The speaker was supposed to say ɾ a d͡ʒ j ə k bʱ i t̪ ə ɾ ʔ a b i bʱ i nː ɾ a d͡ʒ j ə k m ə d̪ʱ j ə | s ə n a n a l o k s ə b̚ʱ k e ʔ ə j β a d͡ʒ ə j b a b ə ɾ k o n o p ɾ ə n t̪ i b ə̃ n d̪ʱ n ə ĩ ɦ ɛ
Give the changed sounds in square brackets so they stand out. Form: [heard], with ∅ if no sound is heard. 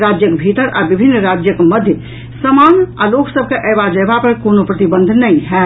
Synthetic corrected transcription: ɾ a d͡ʒ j ə k bʱ i t̪ ə ɾ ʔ a b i bʱ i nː ɾ a d͡ʒ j ə k m ə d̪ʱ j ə | s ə [m] a n a l o k s ə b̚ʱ k e ʔ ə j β a d͡ʒ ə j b a [p] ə ɾ k o n o p ɾ ə [∅] t̪ i b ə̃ n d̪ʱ n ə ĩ ɦ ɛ